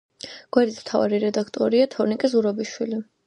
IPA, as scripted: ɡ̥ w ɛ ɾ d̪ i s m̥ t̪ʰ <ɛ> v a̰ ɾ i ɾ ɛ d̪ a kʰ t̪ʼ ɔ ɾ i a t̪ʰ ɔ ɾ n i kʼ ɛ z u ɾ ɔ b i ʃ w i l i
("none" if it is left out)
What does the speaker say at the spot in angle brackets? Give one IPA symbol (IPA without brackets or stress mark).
a